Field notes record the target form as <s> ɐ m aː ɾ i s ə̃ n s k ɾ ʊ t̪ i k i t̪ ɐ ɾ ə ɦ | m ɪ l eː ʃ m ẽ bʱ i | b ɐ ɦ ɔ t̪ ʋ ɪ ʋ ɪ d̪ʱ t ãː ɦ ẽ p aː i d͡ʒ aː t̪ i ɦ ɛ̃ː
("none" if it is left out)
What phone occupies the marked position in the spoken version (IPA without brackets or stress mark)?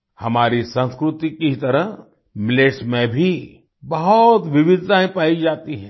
h